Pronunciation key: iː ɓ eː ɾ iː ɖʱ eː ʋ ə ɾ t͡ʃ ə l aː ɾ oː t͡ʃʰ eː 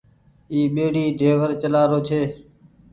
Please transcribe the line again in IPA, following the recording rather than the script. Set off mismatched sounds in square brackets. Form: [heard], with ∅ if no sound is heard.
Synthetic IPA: iː ɓ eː [ɽ] iː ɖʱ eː ʋ ə ɾ t͡ʃ ə l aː ɾ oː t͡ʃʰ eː